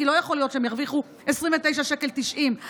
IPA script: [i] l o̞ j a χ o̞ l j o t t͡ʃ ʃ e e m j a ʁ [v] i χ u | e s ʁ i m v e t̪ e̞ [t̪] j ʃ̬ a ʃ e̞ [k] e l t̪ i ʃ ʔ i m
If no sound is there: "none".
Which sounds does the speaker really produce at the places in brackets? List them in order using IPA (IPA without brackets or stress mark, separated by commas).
i, v, none, k